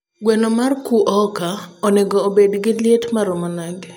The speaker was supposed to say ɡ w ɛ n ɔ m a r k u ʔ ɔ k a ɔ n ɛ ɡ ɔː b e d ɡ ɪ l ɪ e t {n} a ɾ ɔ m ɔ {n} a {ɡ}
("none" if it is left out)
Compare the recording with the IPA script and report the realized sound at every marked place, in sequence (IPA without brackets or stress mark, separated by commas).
m, n, ɡ